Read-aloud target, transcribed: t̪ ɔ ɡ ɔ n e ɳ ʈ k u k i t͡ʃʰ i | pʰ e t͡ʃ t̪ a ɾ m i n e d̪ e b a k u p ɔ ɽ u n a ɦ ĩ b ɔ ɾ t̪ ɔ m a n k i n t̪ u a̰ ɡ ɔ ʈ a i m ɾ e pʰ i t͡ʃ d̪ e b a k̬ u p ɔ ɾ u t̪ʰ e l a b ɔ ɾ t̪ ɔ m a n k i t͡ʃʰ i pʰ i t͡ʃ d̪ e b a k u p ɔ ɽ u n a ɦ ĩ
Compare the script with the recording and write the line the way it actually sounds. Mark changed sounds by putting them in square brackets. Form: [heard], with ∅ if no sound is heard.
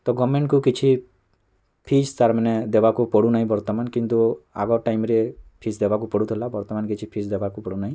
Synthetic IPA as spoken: t̪ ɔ ɡ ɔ [m] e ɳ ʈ k u k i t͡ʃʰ i | pʰ [i] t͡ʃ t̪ a ɾ m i n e d̪ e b a k u p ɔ ɽ u n a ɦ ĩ b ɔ ɾ t̪ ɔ m a n k i n t̪ u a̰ ɡ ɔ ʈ a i m ɾ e pʰ i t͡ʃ d̪ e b a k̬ u p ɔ [ɽ] u t̪ʰ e l a b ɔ ɾ t̪ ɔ m a n k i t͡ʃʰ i pʰ i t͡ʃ d̪ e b a k u p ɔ ɽ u n a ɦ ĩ

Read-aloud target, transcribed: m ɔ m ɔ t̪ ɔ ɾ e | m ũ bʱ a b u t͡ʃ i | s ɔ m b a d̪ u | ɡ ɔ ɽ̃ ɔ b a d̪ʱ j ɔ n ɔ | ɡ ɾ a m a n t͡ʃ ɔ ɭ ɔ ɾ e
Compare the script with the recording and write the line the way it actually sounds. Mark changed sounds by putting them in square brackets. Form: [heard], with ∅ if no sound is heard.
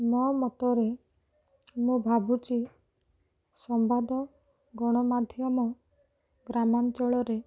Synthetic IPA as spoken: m ɔ m ɔ t̪ ɔ ɾ e | m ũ bʱ a b u t͡ʃ i | s ɔ m b a d̪ [ɔ] | ɡ ɔ ɽ̃ ɔ [m] a d̪ʱ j ɔ [m] ɔ | ɡ ɾ a m a n t͡ʃ ɔ ɭ ɔ ɾ e

